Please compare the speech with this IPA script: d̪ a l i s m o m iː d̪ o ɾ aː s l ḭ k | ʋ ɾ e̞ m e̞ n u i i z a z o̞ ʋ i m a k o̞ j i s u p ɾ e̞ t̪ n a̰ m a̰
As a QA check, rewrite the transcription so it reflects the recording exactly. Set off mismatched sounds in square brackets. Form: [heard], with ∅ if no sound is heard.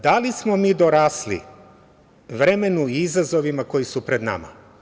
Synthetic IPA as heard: d̪ a l i s m o m iː d̪ o ɾ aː s l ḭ [∅] | ʋ ɾ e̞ m e̞ n u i i z a z o̞ ʋ i m a k o̞ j i s u p ɾ e̞ [d̪] n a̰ m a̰